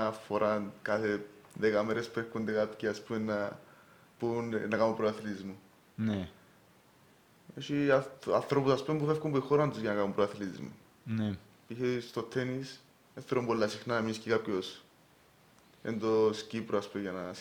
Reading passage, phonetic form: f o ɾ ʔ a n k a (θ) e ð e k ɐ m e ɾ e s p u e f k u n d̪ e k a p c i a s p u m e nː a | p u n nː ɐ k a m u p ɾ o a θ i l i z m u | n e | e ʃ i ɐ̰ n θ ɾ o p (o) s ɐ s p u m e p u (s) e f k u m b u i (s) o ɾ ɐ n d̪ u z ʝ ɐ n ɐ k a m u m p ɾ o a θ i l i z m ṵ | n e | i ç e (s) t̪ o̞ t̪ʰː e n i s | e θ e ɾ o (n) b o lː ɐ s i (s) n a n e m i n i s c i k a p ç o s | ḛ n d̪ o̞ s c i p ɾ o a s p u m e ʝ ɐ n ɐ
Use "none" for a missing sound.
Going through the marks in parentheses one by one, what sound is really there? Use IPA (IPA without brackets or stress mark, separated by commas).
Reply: θ, u, f, x, s, m, x